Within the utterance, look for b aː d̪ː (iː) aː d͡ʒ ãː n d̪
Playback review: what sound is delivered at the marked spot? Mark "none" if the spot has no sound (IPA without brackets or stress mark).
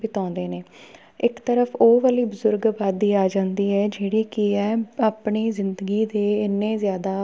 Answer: iː